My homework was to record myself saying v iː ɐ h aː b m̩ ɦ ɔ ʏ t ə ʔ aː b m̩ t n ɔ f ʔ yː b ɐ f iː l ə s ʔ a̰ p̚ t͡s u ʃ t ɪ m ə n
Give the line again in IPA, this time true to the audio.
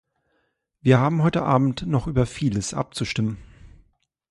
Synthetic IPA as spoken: v iː ɐ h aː b m̩ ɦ ɔ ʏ t ə ʔ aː b m̩ t n ɔ χ ʔ yː b ɐ f iː l ə s ʔ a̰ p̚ t͡s u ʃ t ɪ m ə n

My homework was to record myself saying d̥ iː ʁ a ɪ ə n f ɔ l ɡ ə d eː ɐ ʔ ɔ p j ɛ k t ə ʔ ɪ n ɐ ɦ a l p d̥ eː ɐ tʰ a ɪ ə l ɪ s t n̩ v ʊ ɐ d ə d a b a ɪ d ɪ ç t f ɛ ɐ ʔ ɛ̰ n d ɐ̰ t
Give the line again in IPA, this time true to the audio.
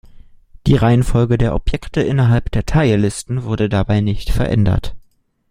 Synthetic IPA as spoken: d̥ iː ʁ a ɪ ə n f ɔ l ɡ ə d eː ɐ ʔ ɔ p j ɛ k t ə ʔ ɪ n ɐ ɦ a l p d̥ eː ɐ tʰ a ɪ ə l ɪ s t n̩ v ʊ ɐ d ə d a b a ɪ n ɪ ç t f ɛ ɐ ʔ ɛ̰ n d ɐ̰ t

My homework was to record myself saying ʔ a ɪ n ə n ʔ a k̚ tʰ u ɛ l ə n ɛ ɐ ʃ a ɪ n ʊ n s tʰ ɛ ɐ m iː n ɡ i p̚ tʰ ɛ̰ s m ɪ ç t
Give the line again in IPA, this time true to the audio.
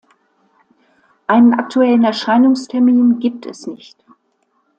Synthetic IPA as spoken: ʔ a ɪ n ə n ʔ a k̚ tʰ u ɛ l ə n ɛ ɐ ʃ a ɪ n ʊ ŋ s tʰ ɛ ɐ m iː n ɡ iː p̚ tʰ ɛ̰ s n ɪ ç t

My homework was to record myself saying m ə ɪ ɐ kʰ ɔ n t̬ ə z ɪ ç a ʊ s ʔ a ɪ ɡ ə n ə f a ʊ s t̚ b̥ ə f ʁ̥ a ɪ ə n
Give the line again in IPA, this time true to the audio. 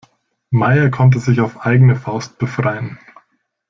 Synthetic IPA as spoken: m a ɪ ɐ kʰ ɔ n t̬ ə z ɪ ç a ʊ f ʔ a ɪ ɡ ə n ə f a ʊ s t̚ b̥ ə f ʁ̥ a ɪ ə n

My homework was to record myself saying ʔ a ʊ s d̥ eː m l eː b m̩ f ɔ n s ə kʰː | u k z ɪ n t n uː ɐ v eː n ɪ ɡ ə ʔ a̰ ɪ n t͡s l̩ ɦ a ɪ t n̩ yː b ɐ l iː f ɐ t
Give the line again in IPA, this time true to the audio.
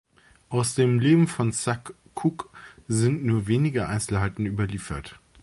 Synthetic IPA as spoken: ʔ a ʊ s d̥ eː m l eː b m̩ f ɔ n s a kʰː | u k z ɪ n t n uː ɐ v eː n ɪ ɡ ə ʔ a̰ ɪ n t͡s l̩ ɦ a ɪ t n̩ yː b ɐ l iː f ɐ t

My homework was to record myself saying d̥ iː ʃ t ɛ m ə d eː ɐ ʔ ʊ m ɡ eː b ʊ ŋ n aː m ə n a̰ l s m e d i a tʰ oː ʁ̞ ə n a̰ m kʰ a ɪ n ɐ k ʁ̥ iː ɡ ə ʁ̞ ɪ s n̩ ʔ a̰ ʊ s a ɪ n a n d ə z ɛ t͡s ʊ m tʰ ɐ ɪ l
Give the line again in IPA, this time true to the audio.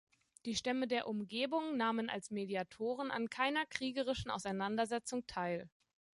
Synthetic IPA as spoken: d̥ iː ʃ t ɛ m ə d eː ɐ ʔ ʊ m ɡ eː b ʊ ŋ n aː m ə n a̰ l s m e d i a tʰ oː ʁ̞ ə n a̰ n kʰ a ɪ n ɐ k ʁ̥ iː ɡ ə ʁ̞ ɪ ʃ n̩ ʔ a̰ ʊ s a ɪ n a n d ɐ z ɛ t͡s ʊ ŋ tʰ a ɪ l

